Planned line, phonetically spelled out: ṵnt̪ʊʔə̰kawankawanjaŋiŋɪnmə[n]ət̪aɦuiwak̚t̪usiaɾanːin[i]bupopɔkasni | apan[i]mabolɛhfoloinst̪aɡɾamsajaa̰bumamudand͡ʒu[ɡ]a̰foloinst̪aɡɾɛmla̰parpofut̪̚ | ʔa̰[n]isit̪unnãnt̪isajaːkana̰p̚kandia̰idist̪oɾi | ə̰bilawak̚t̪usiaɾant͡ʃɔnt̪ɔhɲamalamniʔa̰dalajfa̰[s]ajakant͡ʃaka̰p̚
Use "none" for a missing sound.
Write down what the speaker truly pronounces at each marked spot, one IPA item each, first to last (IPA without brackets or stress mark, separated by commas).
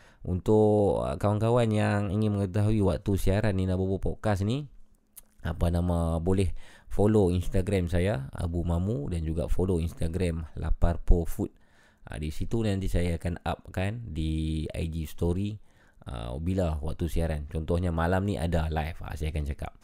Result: ŋ, a, a, ɡ, d, s